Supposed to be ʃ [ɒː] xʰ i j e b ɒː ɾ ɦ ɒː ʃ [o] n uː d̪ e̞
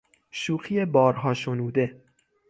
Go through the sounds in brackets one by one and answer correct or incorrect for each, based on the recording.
incorrect, correct

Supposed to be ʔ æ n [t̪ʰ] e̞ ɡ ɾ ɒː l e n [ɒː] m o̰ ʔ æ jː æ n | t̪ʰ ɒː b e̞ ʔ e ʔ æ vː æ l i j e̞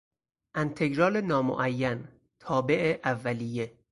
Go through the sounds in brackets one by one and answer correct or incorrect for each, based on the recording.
correct, correct

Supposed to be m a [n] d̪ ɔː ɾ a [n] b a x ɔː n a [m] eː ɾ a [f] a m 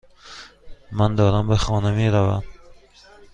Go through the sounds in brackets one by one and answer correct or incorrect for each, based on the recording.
correct, incorrect, correct, incorrect

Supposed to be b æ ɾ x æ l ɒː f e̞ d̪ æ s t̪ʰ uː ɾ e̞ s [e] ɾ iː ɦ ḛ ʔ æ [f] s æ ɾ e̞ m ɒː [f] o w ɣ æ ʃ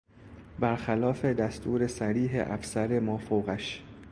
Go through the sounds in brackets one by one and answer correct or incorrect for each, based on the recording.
incorrect, correct, correct

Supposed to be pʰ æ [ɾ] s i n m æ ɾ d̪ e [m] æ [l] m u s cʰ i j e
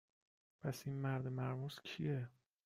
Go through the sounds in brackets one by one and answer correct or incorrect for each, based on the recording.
incorrect, correct, incorrect

